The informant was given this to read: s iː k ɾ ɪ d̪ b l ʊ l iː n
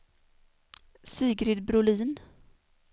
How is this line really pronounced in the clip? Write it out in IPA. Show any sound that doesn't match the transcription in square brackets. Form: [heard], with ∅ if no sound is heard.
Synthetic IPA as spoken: s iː [ɡ] ɾ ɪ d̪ b [ɾ] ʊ l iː n